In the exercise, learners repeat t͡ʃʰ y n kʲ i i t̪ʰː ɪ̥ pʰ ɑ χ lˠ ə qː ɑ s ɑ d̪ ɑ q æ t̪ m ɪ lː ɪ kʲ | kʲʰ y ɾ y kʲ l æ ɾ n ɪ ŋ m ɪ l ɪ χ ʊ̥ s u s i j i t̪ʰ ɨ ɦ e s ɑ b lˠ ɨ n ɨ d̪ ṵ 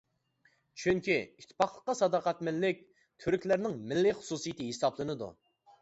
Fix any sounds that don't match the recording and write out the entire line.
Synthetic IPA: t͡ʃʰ y ŋ kʲ i i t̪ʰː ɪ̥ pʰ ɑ χ lˠ ə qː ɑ s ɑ d̪ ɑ q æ t̪ m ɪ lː ɪ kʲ | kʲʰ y ɾ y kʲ l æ ɾ n ɪ ŋ m ɪ lː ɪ χ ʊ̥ s u s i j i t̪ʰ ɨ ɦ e s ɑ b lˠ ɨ n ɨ d̪ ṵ